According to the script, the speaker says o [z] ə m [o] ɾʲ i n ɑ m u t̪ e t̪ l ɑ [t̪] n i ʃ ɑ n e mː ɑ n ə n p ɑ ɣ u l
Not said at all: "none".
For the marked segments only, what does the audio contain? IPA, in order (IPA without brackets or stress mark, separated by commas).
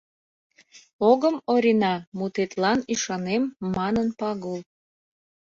ɣ, o, none